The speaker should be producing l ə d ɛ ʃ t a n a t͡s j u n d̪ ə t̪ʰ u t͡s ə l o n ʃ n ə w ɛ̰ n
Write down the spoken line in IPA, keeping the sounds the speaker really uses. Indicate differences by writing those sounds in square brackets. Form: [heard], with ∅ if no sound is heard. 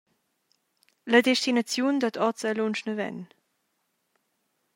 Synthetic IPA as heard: l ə d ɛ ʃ t [i] n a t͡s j u n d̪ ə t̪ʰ [ɔ] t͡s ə l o n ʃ n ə [v] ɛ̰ n

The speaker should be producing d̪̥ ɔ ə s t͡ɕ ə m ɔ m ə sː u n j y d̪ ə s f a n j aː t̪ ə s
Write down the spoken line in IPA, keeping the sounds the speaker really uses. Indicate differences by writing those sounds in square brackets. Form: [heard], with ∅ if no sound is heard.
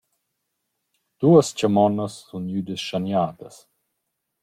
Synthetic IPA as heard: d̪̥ [u] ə s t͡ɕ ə m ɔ [n] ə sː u n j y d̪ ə s [ʃ] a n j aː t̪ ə s

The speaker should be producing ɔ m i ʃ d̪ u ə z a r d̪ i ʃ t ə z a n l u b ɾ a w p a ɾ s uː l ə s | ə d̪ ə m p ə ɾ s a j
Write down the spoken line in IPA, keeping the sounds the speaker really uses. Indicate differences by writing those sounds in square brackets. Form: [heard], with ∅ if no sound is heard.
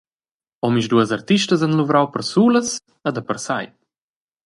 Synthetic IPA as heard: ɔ m i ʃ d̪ u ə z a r [t̪] i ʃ t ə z a n l u [v] ɾ a w p [ə] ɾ s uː l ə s | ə d̪ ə [∅] p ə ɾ s a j

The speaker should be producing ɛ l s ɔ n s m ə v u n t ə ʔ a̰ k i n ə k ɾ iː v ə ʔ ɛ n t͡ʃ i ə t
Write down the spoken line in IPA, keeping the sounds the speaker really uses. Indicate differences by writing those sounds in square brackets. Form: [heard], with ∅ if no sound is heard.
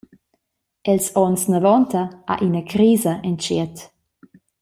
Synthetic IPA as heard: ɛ l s ɔ n s [n] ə v [ɔ] n t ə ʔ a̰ [ʔ] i n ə k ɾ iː [z] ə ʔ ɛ n t͡ʃ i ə t

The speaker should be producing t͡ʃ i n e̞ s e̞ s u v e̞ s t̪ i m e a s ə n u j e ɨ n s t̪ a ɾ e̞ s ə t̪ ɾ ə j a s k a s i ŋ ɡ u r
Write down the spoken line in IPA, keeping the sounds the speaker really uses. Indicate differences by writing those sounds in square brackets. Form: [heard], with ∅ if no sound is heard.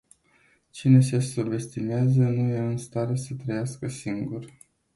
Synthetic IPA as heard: t͡ʃ i n e̞ s e̞ s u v e̞ s t̪ i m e a [z] ə n u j e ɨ n s t̪ a ɾ e̞ s ə t̪ ɾ ə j a s k [ə] s i ŋ ɡ u r

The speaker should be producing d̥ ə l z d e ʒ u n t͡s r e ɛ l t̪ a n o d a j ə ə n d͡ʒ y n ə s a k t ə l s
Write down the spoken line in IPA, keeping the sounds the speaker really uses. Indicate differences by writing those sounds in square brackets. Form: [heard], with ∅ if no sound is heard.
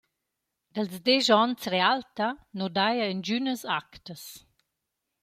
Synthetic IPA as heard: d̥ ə l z d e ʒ [ɔ] n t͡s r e [a] l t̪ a n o d a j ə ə n d͡ʒ y n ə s a k t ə [∅] s

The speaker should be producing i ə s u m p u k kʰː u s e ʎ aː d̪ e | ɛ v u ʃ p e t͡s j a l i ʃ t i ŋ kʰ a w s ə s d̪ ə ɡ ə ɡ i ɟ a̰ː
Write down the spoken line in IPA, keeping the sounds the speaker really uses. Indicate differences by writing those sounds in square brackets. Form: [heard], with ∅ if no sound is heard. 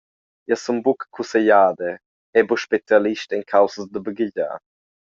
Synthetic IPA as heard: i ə s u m [b] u k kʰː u s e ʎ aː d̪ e | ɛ [b] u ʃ p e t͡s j a l i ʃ t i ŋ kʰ a w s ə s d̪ ə [b] ə ɡ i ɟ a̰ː

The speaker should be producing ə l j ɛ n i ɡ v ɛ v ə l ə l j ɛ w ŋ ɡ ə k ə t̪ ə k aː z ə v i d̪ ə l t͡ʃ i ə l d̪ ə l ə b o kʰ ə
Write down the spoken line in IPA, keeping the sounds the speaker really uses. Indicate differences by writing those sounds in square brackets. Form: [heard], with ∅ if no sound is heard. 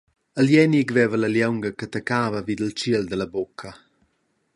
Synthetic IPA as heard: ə l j ɛ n i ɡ v ɛ v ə l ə l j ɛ w ŋ ɡ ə k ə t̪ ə k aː [v] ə v i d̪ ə l t͡ʃ i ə l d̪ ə l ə b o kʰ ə

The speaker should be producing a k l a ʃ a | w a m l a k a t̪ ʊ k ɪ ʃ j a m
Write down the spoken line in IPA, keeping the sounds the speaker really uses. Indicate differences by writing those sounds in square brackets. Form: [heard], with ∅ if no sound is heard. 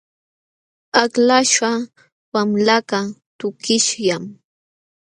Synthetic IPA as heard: a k l a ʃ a | w a m l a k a t̪ ʊ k ɪ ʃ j a m

